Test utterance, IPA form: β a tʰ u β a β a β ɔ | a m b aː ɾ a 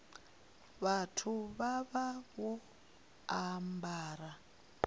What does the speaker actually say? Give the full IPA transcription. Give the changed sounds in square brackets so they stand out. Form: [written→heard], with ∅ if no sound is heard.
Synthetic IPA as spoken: β a tʰ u β a β a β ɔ | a m b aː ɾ a